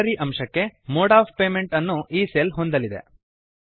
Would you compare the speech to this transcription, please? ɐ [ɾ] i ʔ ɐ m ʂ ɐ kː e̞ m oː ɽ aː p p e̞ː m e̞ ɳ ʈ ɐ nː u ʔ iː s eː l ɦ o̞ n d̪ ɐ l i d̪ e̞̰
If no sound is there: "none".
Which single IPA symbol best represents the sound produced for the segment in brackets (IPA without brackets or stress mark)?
ɾ